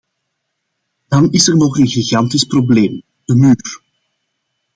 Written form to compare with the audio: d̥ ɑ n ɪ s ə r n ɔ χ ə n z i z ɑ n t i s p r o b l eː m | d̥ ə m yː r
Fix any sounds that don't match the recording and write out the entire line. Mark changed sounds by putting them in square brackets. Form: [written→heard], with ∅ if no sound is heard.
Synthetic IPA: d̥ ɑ n ɪ s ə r n ɔ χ ə n [z→ɣ] i [z→ɣ] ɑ n t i s p r o b l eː m | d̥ ə m yː r